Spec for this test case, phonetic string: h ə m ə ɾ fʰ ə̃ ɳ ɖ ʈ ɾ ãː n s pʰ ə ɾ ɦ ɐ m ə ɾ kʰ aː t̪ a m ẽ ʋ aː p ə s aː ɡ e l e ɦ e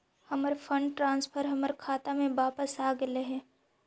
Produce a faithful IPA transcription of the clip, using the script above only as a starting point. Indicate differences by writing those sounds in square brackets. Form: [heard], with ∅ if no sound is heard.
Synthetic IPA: h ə m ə ɾ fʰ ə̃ ɳ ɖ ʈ ɾ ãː n s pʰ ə ɾ ɦ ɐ m ə ɾ kʰ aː t̪ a m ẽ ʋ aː p ə s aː ɡ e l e ɦ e